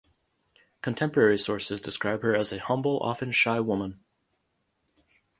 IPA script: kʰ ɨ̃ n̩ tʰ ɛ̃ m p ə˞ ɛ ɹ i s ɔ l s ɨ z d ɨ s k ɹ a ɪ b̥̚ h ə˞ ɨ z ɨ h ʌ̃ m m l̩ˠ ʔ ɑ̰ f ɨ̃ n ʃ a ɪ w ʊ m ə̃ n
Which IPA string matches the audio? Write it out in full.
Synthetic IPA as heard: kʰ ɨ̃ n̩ tʰ ɛ̃ m p ə˞ ɛ ɹ i s ɔ ɹ s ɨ z d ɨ s k ɹ a ɪ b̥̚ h ə˞ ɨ z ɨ h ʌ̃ m b l̩ˠ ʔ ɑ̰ f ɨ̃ n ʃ a ɪ w ʊ m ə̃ n